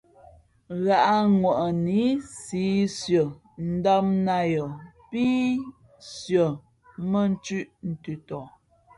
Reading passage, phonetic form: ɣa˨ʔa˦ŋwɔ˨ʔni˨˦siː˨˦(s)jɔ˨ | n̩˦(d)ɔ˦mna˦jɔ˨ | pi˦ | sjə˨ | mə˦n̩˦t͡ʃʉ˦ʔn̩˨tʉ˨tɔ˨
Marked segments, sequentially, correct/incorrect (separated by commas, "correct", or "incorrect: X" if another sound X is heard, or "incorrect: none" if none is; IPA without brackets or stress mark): correct, correct